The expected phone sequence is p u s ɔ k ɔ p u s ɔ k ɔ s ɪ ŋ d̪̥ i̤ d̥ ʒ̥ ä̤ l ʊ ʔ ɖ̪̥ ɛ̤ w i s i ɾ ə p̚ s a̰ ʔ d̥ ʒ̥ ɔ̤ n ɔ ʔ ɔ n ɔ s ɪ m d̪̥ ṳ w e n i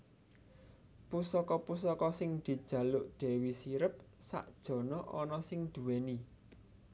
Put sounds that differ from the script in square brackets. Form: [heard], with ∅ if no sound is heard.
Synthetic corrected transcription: p u s ɔ k ɔ p u s ɔ k ɔ s ɪ ŋ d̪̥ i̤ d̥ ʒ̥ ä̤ l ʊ ʔ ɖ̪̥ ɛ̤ w i s i ɾ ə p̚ s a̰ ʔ d̥ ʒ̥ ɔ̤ n ɔ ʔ ɔ n ɔ s ɪ [ŋ] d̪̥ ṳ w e n i